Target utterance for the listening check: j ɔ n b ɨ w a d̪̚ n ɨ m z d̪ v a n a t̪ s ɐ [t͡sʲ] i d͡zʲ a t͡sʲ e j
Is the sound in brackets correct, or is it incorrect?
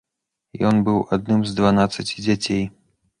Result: correct